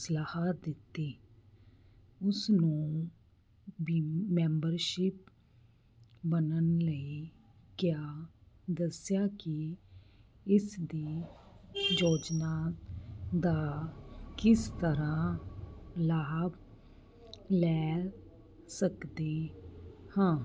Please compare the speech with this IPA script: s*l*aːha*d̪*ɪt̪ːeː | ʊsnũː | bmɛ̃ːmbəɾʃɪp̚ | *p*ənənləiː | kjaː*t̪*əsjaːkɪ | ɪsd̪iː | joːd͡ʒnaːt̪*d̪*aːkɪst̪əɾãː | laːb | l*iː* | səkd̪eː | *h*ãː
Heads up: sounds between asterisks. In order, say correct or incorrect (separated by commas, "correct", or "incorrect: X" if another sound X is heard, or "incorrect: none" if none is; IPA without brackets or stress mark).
correct, correct, incorrect: b, incorrect: d̪, correct, incorrect: ɛː, correct